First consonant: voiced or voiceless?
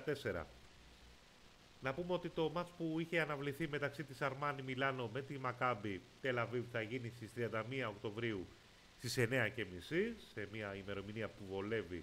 voiceless